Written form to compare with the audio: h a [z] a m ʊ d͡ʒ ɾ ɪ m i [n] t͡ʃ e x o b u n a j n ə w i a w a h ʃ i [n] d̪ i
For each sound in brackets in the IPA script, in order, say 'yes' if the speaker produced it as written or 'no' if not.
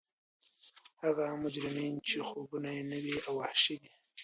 no, yes, no

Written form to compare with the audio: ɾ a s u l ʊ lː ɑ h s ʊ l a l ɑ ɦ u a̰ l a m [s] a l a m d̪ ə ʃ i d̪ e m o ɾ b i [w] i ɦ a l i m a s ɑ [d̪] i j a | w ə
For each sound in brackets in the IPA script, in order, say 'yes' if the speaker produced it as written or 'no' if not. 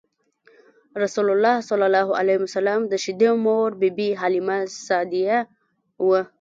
yes, no, yes

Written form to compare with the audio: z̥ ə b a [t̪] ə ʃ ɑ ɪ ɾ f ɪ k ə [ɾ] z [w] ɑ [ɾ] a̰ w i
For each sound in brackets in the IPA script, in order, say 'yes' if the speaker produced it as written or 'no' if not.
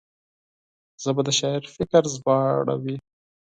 no, yes, no, no

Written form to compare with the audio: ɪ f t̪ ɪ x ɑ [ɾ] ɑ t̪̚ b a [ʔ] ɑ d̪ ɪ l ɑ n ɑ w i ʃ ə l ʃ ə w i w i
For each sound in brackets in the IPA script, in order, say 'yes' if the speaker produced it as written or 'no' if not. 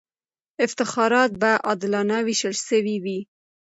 yes, yes

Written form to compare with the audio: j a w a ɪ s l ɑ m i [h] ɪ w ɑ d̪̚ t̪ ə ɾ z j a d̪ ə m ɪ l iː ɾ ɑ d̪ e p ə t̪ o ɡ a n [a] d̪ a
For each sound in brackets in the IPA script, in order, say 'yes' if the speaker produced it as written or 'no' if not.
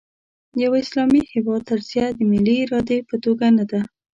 yes, yes

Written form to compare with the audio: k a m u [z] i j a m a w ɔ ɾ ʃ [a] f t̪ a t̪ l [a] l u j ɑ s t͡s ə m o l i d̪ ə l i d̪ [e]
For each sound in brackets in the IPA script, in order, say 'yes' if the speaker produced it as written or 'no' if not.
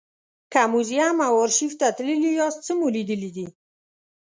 yes, no, no, no

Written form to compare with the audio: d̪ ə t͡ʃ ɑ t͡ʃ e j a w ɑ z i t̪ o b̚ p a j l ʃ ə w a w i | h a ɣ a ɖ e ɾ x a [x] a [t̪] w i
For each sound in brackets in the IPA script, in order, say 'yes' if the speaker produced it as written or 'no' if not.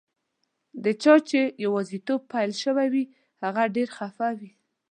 no, no

